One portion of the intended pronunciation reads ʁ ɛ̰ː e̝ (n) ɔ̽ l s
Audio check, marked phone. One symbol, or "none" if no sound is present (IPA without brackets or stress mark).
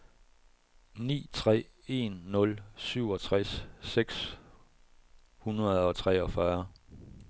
nː